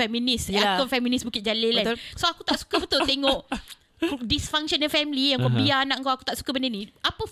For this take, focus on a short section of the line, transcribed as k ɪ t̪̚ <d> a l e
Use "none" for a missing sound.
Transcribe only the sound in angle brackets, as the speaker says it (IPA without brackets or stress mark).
d͡ʒ